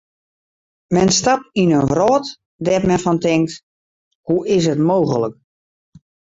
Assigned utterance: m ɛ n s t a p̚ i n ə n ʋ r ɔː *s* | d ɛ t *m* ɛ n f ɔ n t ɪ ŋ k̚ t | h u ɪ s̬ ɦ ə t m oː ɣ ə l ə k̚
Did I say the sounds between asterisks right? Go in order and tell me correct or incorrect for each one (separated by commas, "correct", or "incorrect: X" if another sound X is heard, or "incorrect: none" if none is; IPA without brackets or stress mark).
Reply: incorrect: t, correct